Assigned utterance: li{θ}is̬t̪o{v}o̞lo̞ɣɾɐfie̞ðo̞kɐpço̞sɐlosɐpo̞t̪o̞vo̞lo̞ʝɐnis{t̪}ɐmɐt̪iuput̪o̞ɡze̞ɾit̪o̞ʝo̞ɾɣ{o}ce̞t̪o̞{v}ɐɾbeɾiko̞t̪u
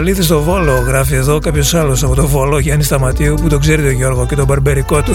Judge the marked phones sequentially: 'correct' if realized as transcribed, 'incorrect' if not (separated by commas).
correct, correct, correct, correct, incorrect